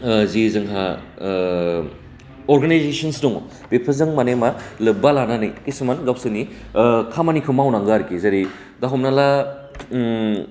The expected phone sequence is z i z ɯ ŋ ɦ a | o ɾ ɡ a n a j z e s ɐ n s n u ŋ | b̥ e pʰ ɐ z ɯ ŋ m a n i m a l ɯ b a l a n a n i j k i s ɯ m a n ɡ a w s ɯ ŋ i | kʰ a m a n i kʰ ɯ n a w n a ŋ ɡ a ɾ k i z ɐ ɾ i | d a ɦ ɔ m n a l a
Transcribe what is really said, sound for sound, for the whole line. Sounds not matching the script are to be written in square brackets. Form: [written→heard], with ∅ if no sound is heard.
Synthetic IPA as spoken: z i z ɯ ŋ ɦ a | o ɾ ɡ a n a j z e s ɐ n s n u ŋ | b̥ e pʰ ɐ z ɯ ŋ m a n [i→e] m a l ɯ b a l a n a n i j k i s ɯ m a n ɡ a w s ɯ [ŋ→n] i | kʰ a m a n i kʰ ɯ [n→m] a w n a ŋ ɡ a ɾ k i z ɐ ɾ i | d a ɦ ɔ m n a l a